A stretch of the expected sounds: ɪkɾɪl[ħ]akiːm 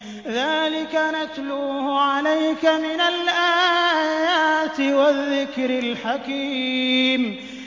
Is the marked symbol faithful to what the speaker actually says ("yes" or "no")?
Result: yes